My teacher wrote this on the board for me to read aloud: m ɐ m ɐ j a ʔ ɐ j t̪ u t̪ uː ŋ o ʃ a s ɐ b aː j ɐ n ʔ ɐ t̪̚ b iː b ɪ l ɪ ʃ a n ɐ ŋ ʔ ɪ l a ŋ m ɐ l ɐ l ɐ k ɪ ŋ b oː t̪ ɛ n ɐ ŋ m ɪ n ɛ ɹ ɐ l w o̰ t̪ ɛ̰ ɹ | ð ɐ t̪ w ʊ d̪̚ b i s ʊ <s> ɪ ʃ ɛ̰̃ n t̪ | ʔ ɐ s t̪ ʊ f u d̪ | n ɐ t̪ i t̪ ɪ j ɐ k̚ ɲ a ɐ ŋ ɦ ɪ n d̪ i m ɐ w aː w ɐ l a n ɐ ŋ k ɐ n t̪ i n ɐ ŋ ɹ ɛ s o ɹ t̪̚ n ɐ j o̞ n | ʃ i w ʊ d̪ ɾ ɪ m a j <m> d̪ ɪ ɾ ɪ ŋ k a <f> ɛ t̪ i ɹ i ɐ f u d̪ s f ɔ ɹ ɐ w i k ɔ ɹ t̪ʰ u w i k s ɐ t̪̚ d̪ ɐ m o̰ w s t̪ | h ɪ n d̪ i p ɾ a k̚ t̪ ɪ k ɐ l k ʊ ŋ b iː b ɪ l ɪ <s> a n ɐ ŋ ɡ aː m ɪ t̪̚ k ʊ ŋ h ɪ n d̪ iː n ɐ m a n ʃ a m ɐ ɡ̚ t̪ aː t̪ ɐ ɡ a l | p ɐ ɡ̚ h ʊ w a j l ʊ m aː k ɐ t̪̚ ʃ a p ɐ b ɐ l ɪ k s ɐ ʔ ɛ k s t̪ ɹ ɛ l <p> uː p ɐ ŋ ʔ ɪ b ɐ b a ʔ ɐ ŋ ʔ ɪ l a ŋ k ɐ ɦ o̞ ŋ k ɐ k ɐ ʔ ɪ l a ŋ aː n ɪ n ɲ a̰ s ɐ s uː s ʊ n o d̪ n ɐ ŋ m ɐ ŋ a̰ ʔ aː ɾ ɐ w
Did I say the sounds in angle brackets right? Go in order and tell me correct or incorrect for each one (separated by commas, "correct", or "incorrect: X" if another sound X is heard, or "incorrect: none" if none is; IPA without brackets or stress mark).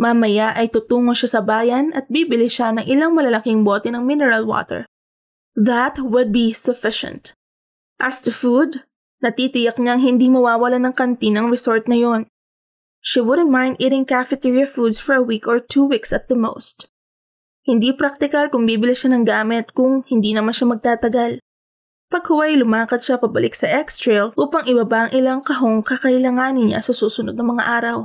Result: incorrect: f, incorrect: n, correct, incorrect: ʃ, incorrect: ʔ